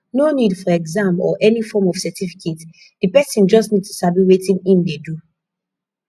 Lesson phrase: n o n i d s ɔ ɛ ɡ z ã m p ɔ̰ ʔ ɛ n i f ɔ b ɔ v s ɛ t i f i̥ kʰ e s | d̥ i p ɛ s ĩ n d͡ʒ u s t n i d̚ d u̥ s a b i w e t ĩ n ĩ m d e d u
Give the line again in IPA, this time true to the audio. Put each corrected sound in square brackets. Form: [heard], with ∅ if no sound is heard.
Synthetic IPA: n o n i d [f] ɔ ɛ ɡ z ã m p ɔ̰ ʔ ɛ n i f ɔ [m] ɔ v s ɛ t i f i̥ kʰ e [t] | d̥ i p ɛ s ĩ n d͡ʒ [ɔ] s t n i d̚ [t] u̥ s a b i w e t ĩ n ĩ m d e d u